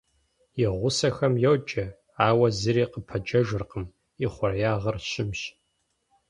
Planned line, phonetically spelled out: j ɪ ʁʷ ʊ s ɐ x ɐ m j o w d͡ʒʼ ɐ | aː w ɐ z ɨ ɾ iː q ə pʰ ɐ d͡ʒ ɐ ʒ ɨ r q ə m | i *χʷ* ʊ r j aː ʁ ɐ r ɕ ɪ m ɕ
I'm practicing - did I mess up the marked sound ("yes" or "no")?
no